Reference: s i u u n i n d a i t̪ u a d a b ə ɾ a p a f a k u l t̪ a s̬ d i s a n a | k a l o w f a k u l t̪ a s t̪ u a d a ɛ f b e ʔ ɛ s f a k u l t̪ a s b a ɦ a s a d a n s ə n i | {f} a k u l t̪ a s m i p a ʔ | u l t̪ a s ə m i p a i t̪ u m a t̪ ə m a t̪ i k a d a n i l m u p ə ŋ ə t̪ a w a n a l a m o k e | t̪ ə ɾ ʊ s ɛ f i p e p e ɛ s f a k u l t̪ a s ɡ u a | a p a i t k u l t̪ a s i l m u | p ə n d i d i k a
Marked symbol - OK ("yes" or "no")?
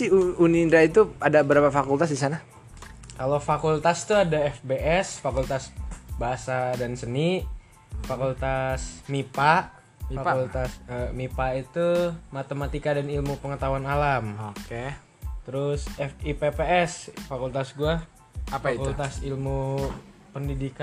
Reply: yes